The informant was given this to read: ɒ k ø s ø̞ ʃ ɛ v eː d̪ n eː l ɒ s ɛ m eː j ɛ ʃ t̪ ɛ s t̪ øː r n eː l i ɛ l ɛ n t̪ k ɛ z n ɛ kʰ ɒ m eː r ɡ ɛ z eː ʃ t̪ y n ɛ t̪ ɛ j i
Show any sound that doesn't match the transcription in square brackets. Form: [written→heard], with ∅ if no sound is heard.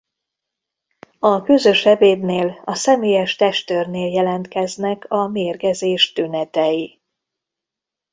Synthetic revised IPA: ɒ k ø [s→z] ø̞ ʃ ɛ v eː d̪ n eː l ɒ s ɛ m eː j ɛ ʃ t̪ ɛ [s→ʃ] t̪ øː r n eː l [i→j] ɛ l ɛ n t̪ k ɛ z n ɛ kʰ ɒ m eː r ɡ ɛ z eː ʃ t̪ y n ɛ t̪ ɛ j i